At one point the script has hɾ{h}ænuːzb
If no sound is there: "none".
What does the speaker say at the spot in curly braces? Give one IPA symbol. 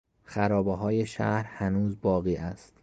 h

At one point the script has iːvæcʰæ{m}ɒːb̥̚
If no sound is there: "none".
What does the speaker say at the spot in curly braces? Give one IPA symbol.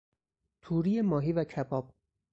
b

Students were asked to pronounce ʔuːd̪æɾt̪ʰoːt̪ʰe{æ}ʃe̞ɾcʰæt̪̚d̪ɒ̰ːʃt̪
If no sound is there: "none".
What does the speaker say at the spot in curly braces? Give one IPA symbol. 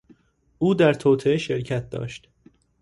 e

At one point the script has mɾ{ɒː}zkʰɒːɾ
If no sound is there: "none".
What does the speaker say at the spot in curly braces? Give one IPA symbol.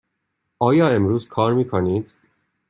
uː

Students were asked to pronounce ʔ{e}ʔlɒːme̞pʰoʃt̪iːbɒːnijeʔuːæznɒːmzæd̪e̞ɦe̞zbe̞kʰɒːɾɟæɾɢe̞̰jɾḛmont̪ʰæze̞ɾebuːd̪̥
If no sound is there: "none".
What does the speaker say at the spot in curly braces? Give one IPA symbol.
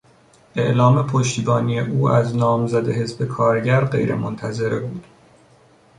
e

